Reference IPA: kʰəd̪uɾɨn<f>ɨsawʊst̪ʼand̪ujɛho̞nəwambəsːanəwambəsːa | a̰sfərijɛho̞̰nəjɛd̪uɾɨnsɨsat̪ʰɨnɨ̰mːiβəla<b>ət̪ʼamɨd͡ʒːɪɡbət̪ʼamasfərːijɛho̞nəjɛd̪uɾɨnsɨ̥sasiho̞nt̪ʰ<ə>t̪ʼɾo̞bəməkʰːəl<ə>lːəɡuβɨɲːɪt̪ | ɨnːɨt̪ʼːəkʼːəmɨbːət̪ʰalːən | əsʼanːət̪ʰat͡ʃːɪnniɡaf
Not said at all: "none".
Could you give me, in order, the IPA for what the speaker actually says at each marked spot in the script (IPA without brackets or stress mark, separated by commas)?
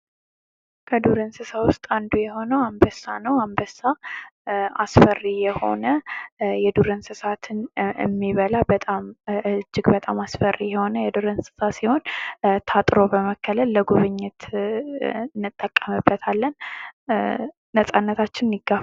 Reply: s, b, a, ə